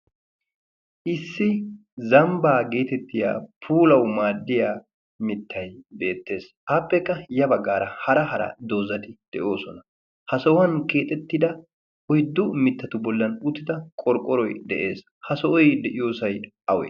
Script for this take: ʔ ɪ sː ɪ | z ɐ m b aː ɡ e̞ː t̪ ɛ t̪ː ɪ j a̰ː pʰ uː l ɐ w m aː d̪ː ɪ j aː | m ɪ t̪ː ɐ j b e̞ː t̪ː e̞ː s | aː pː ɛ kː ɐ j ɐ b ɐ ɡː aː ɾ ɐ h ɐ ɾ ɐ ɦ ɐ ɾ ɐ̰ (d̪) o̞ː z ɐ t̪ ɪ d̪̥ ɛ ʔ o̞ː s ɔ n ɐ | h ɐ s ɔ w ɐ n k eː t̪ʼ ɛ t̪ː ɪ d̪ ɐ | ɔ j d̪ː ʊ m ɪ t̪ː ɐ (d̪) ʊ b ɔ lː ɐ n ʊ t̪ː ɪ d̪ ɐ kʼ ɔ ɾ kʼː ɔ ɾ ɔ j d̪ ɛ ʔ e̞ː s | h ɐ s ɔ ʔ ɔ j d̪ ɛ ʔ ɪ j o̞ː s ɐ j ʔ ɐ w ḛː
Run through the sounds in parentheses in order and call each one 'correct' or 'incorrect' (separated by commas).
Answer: correct, incorrect